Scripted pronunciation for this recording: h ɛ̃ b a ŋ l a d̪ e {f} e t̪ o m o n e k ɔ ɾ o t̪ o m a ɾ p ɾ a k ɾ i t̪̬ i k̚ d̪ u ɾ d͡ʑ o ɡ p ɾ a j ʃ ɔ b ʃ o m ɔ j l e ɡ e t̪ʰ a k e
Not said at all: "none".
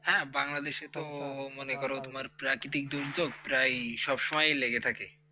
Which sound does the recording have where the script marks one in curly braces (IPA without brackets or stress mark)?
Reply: ʃ